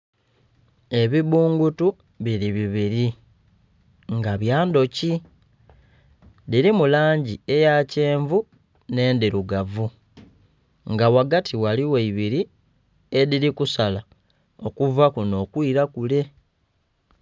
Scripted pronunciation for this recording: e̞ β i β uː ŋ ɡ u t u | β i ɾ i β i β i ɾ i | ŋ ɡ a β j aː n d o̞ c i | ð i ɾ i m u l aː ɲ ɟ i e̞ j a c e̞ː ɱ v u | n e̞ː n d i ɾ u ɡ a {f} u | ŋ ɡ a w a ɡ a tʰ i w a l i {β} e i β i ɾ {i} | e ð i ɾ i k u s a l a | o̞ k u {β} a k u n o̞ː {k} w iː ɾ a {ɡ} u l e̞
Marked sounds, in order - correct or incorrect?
incorrect, incorrect, correct, incorrect, correct, incorrect

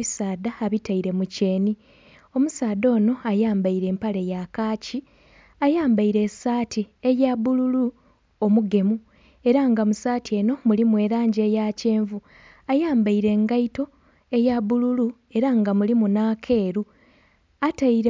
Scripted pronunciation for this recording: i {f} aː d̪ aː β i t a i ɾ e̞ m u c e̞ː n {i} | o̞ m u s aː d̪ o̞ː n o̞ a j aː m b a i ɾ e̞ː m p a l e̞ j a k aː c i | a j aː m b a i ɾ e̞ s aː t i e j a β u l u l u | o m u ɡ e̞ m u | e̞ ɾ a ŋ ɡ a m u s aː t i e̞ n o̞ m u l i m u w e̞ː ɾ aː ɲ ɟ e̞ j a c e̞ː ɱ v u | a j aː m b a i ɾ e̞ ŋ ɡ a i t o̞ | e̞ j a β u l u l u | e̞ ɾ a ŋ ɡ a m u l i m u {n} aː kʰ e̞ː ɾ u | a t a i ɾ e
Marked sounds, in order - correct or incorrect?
incorrect, correct, correct

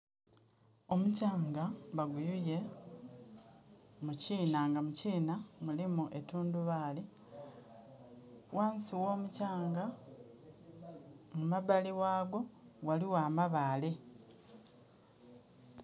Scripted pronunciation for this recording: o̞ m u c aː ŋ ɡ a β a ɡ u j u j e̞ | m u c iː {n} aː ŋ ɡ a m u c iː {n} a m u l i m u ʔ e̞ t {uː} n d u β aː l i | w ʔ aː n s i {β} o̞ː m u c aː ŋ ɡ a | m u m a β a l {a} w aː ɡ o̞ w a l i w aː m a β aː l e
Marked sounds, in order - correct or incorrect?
correct, correct, correct, incorrect, incorrect

